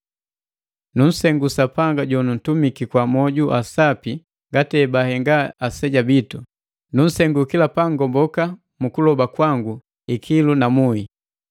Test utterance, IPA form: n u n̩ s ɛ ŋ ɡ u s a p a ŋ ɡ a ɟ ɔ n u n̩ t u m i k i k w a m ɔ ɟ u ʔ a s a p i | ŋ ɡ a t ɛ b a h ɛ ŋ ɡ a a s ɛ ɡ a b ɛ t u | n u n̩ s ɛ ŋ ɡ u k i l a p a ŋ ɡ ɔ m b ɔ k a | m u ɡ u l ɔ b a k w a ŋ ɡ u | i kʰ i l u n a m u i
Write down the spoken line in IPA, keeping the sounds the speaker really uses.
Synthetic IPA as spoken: n u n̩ s ɛ ŋ ɡ u s a p a ŋ ɡ a ɟ ɔ n u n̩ t u m i k i k w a m ɔ ɟ u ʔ a s a p i | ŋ ɡ a t ɛ b a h ɛ ŋ ɡ a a s ɛ ɟ a b i t u | n u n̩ s ɛ ŋ ɡ u k i l a p a ŋ ɡ ɔ m b ɔ k a | m u k u l ɔ b a k w a ŋ ɡ u | i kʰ i l u n a m u i